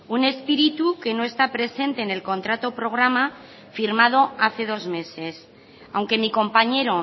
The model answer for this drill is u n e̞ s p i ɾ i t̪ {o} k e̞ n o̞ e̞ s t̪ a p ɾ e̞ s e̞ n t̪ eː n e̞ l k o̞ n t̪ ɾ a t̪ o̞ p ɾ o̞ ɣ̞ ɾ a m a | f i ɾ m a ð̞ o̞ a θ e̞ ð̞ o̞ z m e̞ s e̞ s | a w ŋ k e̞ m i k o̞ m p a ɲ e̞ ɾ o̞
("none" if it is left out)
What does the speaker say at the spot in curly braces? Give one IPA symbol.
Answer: u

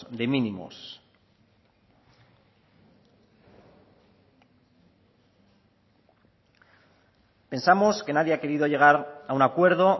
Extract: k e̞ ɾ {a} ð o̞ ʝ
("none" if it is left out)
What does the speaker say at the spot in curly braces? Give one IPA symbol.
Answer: i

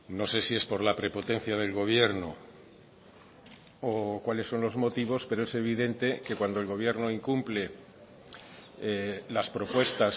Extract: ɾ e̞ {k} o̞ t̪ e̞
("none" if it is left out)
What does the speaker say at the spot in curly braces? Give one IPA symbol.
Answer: p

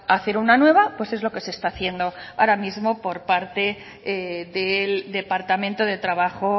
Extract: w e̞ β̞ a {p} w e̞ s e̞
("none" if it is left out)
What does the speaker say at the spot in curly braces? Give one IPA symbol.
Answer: p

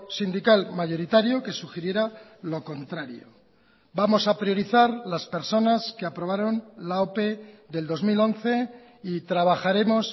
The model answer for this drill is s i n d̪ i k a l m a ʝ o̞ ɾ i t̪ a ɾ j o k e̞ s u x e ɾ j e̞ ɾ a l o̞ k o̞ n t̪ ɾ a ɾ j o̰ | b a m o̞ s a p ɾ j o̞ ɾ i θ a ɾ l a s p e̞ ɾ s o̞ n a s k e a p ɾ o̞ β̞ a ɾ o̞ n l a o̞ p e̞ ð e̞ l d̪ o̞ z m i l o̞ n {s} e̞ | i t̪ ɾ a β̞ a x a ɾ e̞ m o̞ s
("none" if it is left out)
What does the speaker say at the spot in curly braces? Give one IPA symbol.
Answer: θ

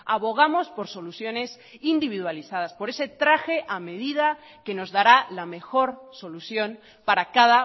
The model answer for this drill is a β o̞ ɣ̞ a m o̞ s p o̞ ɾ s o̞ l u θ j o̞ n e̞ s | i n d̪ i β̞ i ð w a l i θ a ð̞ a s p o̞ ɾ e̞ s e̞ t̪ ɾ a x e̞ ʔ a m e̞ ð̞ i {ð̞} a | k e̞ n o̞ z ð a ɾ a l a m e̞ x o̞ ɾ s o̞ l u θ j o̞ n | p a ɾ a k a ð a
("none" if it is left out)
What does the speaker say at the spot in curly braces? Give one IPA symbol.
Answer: ð̞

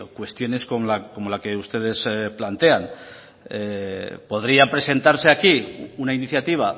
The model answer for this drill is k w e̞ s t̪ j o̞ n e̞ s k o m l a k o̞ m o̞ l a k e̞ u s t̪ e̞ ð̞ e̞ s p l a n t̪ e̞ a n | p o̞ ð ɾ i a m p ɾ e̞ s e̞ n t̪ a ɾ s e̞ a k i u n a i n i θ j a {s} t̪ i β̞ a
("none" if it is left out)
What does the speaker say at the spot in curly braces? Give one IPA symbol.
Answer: none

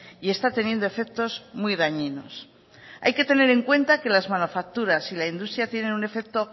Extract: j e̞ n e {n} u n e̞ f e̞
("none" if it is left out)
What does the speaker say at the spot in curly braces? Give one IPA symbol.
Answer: n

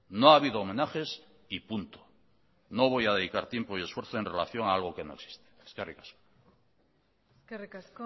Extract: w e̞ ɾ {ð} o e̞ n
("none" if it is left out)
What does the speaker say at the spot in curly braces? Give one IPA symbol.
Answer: θ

